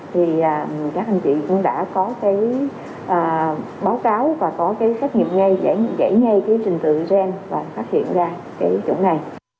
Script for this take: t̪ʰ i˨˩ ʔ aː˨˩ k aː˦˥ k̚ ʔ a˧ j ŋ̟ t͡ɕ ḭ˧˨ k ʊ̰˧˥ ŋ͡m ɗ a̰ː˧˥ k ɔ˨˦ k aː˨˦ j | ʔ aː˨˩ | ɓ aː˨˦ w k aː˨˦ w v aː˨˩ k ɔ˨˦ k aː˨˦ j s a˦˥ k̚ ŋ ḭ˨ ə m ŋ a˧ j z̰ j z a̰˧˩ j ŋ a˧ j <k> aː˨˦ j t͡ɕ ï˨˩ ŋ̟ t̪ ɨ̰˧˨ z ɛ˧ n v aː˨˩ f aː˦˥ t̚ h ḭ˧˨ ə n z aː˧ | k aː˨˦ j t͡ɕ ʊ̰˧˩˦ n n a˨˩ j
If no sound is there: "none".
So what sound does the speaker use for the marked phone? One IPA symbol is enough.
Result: k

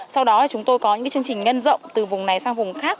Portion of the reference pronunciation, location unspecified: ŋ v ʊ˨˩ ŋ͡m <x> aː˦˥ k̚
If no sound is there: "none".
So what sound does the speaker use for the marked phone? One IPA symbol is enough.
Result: x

